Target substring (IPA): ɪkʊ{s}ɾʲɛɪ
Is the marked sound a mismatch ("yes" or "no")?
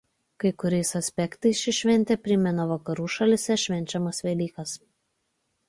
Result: yes